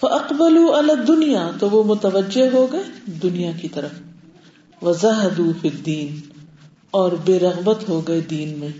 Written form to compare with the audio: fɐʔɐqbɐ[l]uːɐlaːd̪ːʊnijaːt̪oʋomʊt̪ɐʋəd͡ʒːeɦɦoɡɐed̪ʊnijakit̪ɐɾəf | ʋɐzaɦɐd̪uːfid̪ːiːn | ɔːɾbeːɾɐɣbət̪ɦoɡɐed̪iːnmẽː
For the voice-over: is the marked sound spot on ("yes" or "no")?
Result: yes